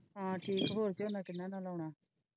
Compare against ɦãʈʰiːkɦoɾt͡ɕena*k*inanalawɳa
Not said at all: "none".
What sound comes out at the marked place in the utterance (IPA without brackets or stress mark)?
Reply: k